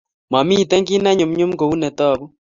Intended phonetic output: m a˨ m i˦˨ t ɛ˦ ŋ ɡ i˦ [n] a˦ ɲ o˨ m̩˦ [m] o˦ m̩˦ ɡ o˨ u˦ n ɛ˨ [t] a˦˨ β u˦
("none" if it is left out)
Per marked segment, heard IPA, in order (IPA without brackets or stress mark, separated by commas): n, ɲ, t